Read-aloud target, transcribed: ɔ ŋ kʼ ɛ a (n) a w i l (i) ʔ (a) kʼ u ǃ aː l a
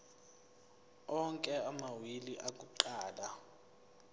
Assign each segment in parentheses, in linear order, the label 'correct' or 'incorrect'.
incorrect: m, correct, correct

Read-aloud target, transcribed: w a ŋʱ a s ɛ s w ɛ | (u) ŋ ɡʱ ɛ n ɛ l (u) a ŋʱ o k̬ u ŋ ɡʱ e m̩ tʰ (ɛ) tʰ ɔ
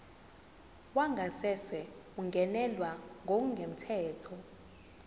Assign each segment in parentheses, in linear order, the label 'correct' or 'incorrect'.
correct, incorrect: w, incorrect: ɛː

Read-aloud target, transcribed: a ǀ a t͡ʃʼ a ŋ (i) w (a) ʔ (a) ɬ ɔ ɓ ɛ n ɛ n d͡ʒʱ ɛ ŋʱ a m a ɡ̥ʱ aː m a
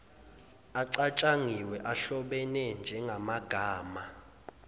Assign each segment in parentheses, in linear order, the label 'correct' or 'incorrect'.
correct, incorrect: ɛ, correct

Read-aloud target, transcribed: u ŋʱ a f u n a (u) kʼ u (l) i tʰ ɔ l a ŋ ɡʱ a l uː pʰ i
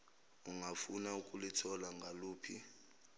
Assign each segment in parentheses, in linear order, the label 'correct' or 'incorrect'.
correct, correct

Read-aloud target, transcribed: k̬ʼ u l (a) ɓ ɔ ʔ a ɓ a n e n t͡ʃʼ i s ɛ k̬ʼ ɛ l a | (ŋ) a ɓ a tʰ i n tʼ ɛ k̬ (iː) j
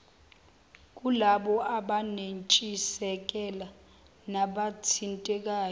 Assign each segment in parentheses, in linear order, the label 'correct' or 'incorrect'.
correct, incorrect: n, incorrect: aː

